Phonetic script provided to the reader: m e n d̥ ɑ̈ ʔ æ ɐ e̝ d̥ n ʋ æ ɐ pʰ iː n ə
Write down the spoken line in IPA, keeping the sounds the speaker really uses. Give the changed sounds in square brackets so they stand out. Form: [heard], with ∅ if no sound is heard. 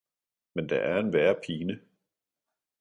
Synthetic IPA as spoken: m e n d̥ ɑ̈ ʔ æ ɐ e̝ [∅] n ʋ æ ɐ pʰ iː n ə